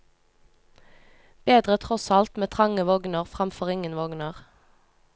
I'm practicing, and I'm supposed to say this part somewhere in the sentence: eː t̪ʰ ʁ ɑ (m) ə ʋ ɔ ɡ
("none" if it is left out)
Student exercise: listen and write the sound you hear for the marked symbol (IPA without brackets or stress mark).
ŋ